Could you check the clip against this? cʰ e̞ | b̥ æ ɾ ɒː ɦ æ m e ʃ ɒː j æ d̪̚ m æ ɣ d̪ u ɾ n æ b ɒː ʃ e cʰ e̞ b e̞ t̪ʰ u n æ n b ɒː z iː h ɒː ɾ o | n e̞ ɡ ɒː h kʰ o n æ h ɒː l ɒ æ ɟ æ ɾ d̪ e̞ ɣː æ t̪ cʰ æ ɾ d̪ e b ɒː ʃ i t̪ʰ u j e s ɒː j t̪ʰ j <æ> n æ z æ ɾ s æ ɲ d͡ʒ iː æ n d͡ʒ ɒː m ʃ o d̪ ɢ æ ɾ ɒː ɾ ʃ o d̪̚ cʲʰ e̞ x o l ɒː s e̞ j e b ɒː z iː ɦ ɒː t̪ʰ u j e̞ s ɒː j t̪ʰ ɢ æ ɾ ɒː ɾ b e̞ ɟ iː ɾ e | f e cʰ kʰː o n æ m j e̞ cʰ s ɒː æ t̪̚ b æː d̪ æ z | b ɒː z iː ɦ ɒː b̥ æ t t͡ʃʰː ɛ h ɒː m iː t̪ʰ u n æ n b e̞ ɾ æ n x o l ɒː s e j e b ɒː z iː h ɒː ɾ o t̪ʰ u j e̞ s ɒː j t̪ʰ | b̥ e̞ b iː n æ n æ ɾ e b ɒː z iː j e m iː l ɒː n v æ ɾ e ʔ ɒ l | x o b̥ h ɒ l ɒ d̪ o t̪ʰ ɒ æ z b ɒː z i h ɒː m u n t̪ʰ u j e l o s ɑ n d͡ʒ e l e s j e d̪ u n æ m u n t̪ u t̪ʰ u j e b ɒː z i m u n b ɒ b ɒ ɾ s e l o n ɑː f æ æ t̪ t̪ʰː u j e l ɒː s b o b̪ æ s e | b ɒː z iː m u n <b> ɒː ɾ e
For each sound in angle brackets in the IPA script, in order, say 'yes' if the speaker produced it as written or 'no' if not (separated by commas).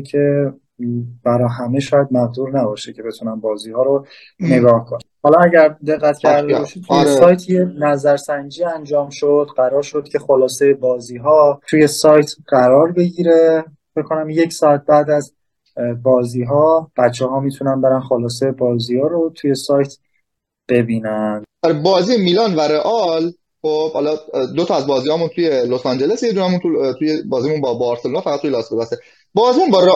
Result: no, yes